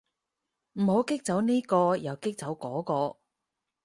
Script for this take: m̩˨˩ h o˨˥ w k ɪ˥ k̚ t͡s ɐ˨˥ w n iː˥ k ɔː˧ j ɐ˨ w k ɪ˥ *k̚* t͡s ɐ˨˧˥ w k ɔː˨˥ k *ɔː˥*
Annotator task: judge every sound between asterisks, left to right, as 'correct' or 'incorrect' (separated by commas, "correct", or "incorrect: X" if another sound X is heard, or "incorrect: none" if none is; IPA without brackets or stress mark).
correct, incorrect: ɔː˧